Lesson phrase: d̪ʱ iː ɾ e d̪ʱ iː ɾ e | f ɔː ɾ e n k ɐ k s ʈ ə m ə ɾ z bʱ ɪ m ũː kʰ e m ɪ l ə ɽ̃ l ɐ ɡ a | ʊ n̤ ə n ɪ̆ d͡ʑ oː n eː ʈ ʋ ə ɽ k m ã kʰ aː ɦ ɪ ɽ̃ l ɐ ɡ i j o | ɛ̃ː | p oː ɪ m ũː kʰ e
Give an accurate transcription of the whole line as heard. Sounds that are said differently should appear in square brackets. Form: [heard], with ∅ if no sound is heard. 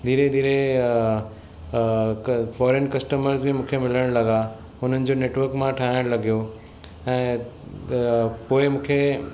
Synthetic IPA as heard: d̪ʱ iː ɾ e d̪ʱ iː ɾ e | f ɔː ɾ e n k ɐ [∅] s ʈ ə m ə ɾ z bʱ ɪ m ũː kʰ e m ɪ l ə ɽ̃ l ɐ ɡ a | ʊ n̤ ə n ɪ̆ d͡ʑ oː n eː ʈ ʋ ə [ɾ] k m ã [ʈʰ] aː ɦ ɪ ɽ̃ l ɐ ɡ i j o | ɛ̃ː | p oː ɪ m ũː kʰ e